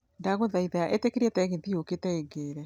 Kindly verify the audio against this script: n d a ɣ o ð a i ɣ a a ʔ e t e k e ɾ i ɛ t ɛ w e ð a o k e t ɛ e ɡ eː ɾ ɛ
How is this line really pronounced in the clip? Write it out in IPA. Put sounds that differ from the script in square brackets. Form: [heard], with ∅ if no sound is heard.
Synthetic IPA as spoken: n d a ɣ o ð a i [ð] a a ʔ e t e k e ɾ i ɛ t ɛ [ɣ] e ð [i] o k e t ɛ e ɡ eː ɾ ɛ